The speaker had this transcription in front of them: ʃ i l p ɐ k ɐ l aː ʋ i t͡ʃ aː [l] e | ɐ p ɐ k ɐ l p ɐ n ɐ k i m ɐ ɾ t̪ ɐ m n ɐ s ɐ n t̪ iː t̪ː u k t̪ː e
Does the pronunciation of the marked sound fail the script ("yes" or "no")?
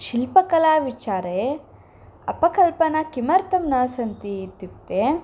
yes